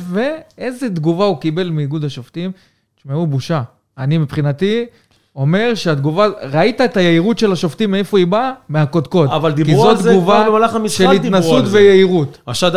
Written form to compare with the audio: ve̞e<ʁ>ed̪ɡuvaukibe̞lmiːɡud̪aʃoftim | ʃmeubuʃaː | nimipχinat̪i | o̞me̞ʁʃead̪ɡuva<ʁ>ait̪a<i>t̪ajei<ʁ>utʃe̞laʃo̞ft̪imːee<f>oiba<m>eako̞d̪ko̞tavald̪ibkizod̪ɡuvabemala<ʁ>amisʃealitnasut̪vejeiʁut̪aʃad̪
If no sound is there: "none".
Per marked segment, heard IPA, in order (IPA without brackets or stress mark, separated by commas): z, ʁ, e, ʁ, f, m, χ